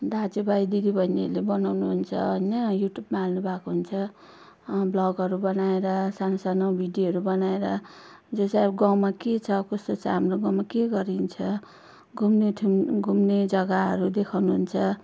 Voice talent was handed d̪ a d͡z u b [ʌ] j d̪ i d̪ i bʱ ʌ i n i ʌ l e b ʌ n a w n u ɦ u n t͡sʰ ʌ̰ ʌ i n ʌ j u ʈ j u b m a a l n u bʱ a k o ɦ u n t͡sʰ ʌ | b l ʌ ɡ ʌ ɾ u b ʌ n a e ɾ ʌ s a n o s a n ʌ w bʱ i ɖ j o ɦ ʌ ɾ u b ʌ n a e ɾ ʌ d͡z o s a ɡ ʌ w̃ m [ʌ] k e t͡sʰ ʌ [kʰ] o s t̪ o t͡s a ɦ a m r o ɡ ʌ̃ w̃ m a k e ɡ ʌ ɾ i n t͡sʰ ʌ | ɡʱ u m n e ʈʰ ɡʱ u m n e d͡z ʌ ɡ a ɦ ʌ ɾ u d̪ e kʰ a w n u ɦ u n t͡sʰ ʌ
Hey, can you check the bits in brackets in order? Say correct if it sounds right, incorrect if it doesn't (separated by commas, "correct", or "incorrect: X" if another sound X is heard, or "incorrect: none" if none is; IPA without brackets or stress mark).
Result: incorrect: a, incorrect: a, incorrect: k